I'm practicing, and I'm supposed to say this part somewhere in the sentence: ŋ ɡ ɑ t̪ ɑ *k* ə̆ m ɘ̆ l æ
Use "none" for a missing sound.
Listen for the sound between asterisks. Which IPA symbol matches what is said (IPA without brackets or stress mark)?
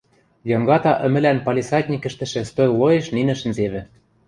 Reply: ʔ